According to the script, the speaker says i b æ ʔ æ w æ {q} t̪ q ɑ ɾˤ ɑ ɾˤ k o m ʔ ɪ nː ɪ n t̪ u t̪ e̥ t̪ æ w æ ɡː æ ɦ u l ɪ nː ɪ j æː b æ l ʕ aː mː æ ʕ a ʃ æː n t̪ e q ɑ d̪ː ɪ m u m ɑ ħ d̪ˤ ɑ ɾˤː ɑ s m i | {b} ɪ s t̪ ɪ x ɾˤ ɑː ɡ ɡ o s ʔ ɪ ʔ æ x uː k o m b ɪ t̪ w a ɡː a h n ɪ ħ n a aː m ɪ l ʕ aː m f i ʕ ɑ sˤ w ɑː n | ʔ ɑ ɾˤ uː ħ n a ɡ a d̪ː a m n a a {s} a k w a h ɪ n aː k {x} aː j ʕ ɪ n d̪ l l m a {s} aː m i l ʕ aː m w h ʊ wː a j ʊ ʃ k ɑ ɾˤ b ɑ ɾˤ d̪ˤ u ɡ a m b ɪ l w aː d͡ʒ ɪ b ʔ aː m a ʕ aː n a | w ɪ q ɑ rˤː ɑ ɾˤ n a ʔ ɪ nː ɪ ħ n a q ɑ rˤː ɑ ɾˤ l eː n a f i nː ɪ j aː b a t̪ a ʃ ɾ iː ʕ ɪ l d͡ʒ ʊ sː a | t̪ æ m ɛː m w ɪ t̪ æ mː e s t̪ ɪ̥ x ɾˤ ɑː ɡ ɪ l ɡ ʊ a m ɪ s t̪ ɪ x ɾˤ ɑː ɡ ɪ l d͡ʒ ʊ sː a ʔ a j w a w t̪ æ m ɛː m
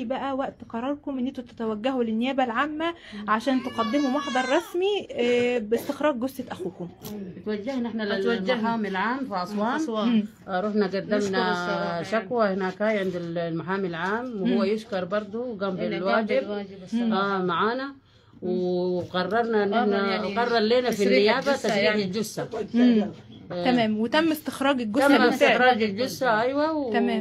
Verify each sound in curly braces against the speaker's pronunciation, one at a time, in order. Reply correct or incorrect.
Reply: incorrect, correct, incorrect, incorrect, incorrect

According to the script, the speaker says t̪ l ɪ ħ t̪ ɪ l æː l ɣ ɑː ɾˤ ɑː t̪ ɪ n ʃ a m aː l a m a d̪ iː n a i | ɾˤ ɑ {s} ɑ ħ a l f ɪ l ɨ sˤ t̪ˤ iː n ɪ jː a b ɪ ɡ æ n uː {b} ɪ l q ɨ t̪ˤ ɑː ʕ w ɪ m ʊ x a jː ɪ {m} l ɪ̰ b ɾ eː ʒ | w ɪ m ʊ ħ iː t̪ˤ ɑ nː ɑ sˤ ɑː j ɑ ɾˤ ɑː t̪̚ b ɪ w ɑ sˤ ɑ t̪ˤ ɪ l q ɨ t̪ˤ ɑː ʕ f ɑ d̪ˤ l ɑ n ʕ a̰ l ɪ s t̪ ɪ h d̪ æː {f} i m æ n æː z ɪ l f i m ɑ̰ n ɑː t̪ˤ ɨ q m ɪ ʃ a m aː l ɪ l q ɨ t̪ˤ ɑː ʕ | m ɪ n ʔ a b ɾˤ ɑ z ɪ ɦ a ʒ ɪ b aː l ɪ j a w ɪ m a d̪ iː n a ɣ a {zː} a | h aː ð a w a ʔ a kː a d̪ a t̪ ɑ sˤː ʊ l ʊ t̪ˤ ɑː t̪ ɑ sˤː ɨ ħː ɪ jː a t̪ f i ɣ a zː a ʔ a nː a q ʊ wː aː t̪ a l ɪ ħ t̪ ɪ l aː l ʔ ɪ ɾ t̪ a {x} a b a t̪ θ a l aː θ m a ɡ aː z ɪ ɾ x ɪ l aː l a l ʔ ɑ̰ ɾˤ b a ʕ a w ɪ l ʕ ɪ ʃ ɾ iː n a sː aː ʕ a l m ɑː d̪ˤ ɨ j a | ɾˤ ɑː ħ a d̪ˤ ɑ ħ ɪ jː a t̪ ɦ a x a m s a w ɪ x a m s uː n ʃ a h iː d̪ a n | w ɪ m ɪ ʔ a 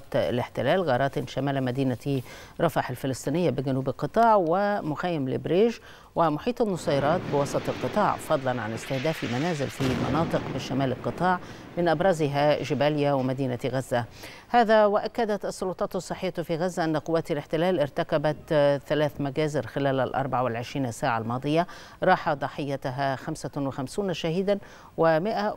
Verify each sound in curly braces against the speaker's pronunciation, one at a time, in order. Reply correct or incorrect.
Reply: incorrect, correct, correct, correct, correct, incorrect

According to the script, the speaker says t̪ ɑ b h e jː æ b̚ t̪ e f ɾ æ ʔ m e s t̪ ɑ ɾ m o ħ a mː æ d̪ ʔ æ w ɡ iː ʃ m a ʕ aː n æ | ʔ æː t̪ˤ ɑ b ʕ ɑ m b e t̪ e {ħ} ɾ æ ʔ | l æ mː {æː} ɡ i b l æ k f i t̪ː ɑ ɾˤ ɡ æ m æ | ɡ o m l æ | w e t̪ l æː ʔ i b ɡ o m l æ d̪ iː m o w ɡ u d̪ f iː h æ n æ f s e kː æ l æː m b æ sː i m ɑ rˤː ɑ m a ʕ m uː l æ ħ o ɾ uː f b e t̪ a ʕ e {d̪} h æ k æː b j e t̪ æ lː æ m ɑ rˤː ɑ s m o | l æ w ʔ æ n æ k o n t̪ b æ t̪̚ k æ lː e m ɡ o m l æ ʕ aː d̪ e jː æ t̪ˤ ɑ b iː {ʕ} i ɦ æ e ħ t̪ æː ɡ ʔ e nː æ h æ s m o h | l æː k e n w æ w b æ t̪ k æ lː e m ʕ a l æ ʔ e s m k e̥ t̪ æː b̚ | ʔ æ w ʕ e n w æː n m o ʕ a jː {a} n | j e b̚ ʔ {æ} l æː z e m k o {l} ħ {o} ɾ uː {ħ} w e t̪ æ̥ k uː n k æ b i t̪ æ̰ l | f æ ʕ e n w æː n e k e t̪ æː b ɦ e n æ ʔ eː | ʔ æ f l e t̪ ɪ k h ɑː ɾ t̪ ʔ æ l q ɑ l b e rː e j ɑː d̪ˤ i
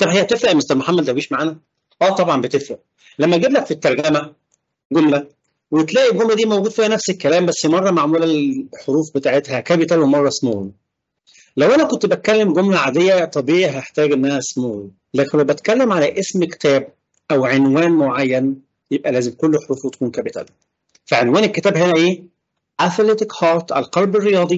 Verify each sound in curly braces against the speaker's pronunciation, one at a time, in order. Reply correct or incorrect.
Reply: incorrect, incorrect, incorrect, correct, incorrect, correct, incorrect, correct, incorrect

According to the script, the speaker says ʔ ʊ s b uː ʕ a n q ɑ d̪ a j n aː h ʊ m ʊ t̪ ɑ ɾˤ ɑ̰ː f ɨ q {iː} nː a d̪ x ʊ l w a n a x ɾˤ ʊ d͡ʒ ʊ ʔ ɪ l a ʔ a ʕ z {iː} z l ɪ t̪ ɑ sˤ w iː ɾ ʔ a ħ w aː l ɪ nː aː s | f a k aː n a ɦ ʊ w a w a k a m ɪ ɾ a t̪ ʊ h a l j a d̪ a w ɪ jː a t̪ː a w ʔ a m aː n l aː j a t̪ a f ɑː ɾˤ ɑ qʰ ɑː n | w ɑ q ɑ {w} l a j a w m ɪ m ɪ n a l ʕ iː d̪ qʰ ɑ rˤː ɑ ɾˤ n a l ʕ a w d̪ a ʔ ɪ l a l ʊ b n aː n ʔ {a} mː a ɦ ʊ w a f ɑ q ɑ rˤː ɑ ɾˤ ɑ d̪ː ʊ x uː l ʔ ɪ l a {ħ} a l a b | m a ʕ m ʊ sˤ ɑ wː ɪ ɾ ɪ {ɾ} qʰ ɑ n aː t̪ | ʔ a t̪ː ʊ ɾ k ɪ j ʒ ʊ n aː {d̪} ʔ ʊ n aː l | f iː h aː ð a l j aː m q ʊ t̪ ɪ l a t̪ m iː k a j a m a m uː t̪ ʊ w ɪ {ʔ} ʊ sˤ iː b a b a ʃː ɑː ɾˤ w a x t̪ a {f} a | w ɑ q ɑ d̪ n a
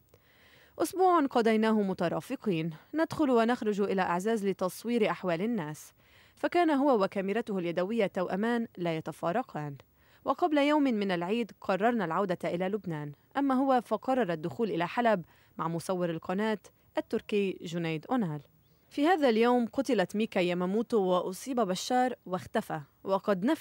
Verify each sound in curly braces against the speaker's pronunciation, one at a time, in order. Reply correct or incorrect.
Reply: correct, incorrect, incorrect, correct, correct, incorrect, correct, correct, correct

